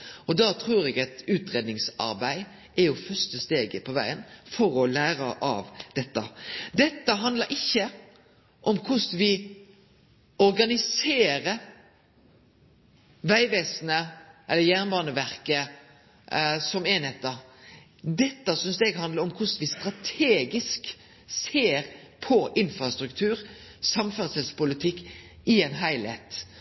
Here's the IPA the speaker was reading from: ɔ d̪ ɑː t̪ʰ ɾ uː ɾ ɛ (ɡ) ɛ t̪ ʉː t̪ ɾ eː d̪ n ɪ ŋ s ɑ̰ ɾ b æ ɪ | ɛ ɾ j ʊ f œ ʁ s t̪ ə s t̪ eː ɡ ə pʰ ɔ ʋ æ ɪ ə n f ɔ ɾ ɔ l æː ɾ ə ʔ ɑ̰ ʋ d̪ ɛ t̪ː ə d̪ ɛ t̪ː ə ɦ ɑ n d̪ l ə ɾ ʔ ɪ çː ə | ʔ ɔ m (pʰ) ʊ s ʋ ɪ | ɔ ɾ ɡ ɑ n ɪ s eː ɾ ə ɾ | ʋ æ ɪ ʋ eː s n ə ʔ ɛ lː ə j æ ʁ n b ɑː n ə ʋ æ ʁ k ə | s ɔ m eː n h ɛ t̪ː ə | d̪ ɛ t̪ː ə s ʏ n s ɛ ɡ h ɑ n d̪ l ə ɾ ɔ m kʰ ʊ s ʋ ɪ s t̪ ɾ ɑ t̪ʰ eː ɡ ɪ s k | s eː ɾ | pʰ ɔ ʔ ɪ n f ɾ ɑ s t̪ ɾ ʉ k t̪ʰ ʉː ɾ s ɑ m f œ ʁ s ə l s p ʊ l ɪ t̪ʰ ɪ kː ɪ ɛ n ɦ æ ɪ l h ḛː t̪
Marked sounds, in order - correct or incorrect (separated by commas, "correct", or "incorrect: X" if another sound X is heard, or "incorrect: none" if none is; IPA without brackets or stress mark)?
correct, incorrect: kʰ